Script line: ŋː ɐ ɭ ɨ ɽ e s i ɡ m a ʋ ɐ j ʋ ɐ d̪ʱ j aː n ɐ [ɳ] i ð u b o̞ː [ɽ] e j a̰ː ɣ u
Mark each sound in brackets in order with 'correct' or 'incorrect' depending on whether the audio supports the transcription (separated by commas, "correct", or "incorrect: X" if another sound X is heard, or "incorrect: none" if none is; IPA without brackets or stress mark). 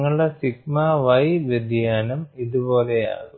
incorrect: m, incorrect: l